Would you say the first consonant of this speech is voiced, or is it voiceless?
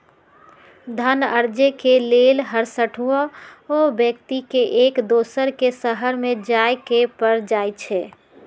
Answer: voiced